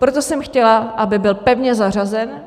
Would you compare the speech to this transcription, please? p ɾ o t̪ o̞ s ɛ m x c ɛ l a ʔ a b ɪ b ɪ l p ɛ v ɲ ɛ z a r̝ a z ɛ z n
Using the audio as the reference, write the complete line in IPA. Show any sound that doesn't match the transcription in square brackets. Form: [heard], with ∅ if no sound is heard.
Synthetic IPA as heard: p ɾ o t̪ o̞ s ɛ m x c ɛ l a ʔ a b ɪ b ɪ l p ɛ v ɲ ɛ z a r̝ a z ɛ [∅] n